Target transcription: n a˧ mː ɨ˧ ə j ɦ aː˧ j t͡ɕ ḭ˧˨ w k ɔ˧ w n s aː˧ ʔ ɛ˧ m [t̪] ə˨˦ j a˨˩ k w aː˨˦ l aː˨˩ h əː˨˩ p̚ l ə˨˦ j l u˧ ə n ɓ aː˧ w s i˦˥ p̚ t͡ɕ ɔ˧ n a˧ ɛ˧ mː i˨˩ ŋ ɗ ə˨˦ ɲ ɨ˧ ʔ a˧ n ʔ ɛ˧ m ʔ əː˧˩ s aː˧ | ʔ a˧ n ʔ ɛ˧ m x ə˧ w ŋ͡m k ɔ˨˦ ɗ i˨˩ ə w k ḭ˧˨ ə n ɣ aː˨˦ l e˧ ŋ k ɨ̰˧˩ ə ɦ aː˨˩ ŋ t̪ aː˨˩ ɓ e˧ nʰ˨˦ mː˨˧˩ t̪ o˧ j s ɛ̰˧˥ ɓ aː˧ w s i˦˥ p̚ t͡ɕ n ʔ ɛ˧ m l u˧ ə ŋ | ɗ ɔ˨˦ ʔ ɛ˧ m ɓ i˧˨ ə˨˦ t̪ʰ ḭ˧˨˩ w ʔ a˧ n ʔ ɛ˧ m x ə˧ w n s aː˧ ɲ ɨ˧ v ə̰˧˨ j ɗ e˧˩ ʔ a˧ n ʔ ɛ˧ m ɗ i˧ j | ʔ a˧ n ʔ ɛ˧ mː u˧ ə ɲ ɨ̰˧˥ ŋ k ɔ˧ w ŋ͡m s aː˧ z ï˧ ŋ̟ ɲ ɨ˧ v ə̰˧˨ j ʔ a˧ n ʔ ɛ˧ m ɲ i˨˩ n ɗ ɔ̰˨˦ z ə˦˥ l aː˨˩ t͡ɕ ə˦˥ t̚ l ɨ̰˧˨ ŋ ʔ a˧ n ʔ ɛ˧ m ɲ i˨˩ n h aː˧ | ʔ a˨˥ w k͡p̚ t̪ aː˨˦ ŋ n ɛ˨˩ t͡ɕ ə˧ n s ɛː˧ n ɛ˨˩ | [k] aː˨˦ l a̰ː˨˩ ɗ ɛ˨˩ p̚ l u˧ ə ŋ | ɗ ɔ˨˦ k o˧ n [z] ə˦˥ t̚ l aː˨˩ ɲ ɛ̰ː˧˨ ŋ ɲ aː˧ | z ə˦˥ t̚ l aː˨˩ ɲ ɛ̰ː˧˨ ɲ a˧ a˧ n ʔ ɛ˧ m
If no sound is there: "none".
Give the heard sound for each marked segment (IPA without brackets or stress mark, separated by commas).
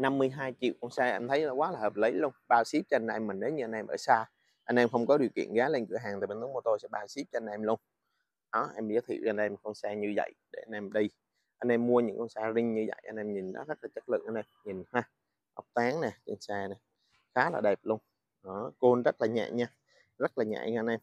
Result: t̪ʰ, x, z